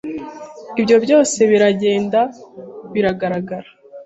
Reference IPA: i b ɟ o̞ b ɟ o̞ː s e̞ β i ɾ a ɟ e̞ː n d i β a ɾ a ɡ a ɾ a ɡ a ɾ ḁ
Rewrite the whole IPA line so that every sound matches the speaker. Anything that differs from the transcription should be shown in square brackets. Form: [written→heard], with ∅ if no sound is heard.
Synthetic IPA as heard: i b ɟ o̞ b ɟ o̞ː s e̞ β i ɾ a ɟ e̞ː n d [i→a] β [a→i] ɾ a ɡ a ɾ a ɡ a ɾ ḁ